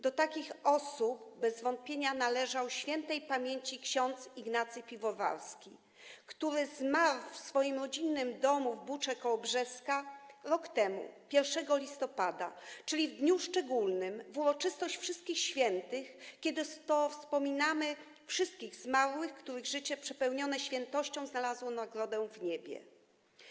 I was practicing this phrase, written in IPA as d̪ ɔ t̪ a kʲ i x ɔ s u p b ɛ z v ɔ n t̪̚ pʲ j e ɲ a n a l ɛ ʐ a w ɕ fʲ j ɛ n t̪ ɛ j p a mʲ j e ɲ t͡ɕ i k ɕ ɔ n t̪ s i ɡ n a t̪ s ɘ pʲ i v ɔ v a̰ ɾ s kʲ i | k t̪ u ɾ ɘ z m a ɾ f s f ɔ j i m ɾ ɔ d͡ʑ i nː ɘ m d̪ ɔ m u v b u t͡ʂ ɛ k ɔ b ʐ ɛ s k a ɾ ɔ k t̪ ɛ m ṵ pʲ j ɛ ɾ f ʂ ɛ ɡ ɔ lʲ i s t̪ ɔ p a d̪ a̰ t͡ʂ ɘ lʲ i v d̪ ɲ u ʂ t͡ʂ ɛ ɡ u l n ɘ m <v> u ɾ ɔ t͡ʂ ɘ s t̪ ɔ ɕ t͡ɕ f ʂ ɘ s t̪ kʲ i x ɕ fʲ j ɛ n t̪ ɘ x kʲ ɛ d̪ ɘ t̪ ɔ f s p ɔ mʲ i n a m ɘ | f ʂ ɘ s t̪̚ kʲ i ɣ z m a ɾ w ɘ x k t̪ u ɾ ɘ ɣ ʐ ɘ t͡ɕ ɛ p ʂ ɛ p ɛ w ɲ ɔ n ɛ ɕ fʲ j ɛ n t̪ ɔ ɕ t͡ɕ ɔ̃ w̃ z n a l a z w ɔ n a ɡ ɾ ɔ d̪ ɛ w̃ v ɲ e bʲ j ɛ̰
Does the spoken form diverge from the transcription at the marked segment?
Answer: no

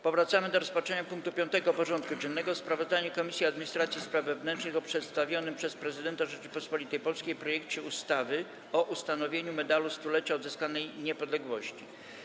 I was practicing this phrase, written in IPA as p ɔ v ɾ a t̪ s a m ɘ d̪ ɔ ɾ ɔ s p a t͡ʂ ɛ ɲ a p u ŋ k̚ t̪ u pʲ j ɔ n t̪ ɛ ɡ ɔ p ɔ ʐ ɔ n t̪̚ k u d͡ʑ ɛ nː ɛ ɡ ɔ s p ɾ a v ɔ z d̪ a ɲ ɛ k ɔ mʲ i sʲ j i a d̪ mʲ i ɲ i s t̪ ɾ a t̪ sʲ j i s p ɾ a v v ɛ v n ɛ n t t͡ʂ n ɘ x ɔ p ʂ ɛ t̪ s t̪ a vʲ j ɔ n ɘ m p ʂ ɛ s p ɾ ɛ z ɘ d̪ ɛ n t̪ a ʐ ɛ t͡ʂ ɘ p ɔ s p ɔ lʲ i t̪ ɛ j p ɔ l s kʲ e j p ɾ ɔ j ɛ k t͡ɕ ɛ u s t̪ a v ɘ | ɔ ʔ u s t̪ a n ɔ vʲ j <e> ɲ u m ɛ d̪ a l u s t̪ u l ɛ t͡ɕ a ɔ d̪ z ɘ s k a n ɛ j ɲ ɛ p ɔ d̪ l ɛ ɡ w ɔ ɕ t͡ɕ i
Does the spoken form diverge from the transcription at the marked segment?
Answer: no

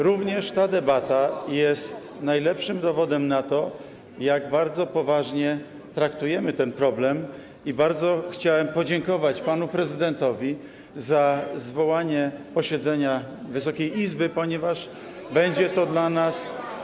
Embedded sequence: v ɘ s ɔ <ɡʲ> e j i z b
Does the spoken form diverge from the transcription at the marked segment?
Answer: yes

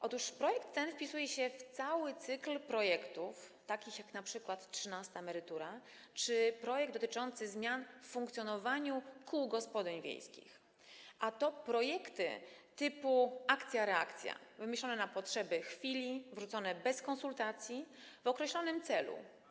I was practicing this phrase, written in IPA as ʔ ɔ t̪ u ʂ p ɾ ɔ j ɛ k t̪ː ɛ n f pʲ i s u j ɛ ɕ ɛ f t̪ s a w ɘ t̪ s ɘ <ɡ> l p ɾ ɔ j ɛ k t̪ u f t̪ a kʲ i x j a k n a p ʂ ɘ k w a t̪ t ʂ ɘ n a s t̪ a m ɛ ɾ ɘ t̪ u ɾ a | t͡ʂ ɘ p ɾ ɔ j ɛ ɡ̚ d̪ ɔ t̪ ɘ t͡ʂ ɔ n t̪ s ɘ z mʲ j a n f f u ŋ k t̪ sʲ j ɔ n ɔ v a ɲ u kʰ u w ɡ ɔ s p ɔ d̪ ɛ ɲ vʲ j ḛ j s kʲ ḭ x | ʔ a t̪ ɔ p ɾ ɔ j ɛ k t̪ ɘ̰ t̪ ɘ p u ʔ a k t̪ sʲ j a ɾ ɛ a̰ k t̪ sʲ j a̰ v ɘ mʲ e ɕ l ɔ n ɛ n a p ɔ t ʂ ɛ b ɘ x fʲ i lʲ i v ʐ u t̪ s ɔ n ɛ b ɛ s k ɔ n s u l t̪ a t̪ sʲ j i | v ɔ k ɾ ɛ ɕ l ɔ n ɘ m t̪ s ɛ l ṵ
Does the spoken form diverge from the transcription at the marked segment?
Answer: yes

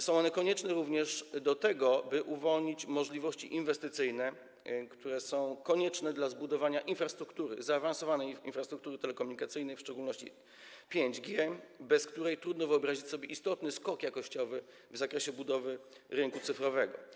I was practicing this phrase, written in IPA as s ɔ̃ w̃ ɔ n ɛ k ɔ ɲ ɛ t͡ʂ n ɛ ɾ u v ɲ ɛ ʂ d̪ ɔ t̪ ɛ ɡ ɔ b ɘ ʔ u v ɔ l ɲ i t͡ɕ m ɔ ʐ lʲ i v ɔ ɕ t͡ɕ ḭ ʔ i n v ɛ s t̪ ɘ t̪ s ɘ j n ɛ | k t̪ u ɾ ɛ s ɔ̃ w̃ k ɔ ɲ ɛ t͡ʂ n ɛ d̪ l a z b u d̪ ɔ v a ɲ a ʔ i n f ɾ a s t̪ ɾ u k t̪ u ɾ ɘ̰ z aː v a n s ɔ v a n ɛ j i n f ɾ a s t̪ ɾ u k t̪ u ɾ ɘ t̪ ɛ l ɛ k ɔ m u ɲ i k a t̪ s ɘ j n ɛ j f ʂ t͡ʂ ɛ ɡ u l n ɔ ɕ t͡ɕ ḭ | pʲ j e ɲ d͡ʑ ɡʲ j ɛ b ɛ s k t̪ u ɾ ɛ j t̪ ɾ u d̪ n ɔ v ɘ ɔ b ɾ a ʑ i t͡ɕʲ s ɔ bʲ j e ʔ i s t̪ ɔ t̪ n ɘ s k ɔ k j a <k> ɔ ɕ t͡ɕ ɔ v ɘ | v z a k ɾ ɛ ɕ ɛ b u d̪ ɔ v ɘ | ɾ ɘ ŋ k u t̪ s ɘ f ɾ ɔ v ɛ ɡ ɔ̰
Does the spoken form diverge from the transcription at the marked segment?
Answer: no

